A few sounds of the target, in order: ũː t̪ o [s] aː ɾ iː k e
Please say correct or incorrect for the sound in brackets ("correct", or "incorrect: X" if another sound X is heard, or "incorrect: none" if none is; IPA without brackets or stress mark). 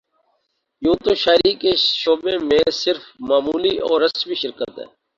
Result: incorrect: ʃ